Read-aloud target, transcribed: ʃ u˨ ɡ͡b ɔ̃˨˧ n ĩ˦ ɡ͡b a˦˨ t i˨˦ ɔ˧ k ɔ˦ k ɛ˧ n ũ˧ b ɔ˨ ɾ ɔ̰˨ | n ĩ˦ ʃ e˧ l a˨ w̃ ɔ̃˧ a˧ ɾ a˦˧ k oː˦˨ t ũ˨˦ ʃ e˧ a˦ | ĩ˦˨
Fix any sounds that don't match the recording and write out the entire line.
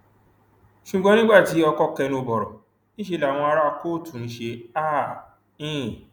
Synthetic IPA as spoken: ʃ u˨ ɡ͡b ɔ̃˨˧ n ĩ˦ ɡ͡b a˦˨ t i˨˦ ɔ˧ k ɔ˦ k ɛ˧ n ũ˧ b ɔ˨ ɾ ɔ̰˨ | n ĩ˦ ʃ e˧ l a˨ w̃ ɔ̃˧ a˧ ɾ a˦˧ k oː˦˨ t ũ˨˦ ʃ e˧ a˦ | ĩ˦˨

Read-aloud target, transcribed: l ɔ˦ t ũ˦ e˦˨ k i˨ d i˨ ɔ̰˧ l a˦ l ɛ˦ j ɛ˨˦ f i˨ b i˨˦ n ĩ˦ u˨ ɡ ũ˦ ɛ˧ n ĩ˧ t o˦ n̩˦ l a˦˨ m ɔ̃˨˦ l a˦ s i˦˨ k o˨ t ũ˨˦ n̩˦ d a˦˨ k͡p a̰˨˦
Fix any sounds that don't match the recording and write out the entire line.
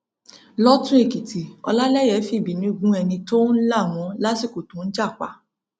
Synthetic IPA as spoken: l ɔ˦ t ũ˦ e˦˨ k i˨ t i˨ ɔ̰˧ l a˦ l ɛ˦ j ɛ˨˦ f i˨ b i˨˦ n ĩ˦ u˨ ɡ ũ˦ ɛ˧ n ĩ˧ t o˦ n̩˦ l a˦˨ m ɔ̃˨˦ l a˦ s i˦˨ k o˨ t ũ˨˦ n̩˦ d͡ʒ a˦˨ k͡p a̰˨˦

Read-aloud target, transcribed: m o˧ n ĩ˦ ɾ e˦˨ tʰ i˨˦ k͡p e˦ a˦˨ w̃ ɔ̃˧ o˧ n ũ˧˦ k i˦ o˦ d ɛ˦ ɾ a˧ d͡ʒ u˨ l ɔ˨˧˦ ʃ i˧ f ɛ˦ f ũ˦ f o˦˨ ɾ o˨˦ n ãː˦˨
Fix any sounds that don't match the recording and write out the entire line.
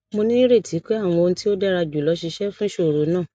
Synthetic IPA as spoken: m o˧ n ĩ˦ ɾ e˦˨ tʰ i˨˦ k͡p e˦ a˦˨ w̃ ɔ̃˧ o˧ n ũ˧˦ t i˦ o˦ d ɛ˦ ɾ a˧ d͡ʒ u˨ l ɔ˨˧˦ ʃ i˧ ʃ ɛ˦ f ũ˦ ʃ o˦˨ ɾ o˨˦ n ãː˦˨

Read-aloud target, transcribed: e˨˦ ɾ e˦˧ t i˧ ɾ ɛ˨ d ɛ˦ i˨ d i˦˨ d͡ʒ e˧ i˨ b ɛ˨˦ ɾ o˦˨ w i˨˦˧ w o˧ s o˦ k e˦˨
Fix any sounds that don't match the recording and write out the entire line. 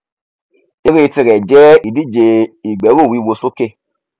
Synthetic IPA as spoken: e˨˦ ɾ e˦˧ t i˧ ɾ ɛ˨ d͡ʒ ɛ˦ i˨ d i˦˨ d͡ʒ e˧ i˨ ɡ͡b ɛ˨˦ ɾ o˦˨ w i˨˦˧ w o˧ s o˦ k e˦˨

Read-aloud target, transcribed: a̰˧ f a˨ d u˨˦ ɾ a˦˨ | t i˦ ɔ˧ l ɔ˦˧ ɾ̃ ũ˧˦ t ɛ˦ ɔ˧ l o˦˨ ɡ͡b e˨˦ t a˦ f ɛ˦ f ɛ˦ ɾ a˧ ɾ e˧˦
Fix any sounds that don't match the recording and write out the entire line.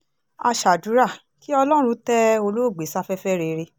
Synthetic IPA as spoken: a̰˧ ʃ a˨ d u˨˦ ɾ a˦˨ | k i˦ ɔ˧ l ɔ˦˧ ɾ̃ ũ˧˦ t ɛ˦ o˧ l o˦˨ ɡ͡b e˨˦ s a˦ f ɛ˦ f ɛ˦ ɾ e˧ ɾ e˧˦

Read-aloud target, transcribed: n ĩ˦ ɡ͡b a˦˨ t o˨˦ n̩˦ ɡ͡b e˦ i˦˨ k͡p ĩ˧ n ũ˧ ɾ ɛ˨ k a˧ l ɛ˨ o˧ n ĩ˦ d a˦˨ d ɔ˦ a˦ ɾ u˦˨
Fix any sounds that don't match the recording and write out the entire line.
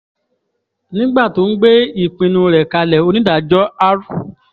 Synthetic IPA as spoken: n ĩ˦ ɡ͡b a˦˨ t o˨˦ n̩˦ ɡ͡b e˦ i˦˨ k͡p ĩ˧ n ũ˧ ɾ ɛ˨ k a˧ l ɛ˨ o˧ n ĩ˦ d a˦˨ d͡ʒ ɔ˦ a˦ ɾ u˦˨

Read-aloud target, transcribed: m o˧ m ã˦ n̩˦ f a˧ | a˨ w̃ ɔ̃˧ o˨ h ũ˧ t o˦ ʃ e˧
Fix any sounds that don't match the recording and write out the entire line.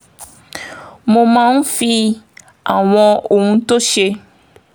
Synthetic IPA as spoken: m o˧ m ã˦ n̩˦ f i˧ | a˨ w̃ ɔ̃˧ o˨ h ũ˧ t o˦ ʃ e˧

